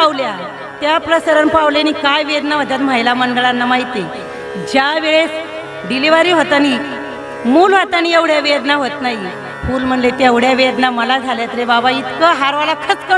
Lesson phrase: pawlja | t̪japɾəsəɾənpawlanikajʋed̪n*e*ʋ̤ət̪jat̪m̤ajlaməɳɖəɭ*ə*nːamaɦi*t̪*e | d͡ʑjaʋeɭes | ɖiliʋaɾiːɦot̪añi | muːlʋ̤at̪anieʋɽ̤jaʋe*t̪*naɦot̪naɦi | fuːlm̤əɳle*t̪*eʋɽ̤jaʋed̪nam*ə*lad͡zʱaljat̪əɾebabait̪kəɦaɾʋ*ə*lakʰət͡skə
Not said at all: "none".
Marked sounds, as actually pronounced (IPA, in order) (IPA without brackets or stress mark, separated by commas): a, a, t̪, d̪, t̪, ə, a